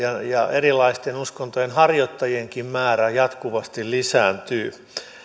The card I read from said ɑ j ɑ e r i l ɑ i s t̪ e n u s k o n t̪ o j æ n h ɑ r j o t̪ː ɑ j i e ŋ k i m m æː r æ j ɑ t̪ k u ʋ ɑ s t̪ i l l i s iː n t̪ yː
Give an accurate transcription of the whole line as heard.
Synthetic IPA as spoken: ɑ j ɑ e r i l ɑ i s t̪ e n u s k o n t̪ o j e n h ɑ r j o t̪ː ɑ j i e ŋ k i m m æː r æ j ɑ t̪ k u ʋ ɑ s t̪ i l l i s æː n t̪ yː